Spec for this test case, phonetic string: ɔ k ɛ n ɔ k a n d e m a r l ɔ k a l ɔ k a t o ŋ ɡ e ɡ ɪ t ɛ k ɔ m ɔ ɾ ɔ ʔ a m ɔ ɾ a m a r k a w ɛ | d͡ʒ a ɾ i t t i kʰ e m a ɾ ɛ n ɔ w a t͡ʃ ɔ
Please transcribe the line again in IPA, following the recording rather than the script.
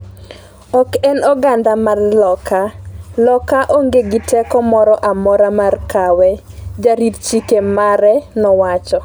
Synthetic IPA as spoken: ɔ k ɛ n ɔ ɡ a n d a m a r l ɔ k a l ɔ k a ʔ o ŋ ɡ e ɡ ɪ t ɛ k ɔ m ɔ ɾ ɔ ʔ a m ɔ ɾ a m a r k a w ɛ | d͡ʒ a ɾ i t t͡ʃ i k e m a ɾ ɛ n ɔ w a t͡ʃ ɔ